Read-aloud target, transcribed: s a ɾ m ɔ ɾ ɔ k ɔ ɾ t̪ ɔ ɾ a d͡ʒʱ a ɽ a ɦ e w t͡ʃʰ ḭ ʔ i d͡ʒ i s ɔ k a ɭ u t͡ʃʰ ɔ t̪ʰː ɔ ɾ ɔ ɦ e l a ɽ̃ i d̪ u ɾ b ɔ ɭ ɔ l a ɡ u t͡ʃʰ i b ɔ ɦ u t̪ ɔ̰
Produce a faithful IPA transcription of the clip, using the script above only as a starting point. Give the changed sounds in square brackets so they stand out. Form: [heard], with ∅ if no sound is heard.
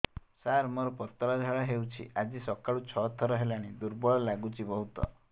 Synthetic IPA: s a ɾ m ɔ ɾ ɔ [p] ɔ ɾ t̪ ɔ ɾ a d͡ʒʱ a [ɭ] a ɦ e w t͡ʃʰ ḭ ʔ [a] d͡ʒ i s ɔ k a ɭ u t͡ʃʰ ɔ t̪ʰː ɔ ɾ ɔ ɦ e l a ɽ̃ i d̪ u ɾ b ɔ ɭ ɔ l a ɡ u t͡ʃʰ i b ɔ ɦ u t̪ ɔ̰